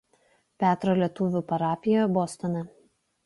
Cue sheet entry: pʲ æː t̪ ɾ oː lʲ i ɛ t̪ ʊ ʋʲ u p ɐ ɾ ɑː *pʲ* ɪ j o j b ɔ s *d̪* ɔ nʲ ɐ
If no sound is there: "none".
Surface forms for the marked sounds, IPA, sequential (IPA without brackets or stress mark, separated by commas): pʲ, t̪